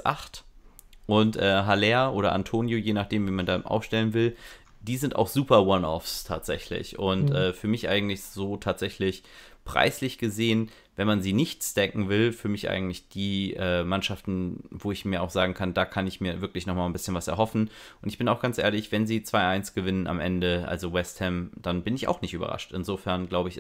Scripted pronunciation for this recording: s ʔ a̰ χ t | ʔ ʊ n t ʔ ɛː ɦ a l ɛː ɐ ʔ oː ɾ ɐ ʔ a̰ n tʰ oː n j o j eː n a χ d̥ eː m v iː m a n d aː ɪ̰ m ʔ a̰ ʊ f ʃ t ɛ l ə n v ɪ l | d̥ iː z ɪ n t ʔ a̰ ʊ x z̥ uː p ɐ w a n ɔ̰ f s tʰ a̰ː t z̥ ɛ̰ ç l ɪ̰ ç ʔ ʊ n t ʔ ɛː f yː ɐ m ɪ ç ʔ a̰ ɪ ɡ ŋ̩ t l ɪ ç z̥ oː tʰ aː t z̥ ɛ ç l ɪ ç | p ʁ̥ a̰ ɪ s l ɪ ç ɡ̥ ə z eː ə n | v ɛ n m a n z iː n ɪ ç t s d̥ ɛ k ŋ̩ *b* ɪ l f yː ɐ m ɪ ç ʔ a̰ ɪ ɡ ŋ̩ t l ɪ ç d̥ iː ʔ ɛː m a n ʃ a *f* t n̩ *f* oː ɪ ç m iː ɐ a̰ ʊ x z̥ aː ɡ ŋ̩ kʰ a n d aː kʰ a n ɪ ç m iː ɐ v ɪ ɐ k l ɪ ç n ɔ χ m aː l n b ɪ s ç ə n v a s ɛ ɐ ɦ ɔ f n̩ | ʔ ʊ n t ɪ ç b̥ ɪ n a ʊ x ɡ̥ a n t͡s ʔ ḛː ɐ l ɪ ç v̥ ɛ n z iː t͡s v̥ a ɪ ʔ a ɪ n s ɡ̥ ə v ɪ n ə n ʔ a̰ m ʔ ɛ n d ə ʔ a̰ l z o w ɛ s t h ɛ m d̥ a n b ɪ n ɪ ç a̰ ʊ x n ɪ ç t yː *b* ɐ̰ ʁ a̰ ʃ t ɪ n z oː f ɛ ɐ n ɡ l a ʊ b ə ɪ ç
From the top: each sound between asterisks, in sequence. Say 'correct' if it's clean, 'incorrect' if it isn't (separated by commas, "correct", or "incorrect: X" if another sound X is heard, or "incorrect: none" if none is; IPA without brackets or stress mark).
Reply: incorrect: v, correct, incorrect: v, correct